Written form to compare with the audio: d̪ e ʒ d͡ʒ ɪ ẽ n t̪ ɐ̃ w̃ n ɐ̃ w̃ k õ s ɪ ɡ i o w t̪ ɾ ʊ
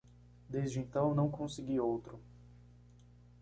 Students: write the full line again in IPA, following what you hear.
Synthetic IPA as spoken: d̪ e z d͡ʒ ɪ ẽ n t̪ ɐ̃ w̃ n ɐ̃ w̃ k õ s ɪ ɡ i o w t̪ ɾ ʊ